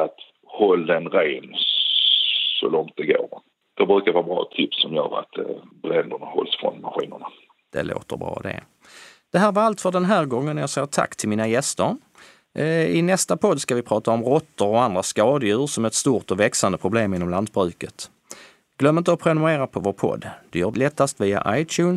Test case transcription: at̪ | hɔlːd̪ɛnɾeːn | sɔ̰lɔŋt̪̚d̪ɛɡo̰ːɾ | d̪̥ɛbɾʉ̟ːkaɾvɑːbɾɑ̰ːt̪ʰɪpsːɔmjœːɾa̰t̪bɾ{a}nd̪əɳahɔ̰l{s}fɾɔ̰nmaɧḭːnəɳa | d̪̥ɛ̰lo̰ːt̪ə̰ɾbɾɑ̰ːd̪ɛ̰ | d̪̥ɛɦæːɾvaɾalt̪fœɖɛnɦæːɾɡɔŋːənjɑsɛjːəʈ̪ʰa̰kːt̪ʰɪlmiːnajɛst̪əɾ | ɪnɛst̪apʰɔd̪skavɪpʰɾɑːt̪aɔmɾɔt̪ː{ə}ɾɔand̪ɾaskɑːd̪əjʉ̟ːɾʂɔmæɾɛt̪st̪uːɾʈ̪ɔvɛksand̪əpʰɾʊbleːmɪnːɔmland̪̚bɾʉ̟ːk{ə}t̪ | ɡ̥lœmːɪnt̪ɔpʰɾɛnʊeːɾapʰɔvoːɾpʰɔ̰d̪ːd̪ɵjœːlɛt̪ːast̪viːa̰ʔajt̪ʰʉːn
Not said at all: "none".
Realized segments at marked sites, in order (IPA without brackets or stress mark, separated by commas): ɛ, s, ə, ə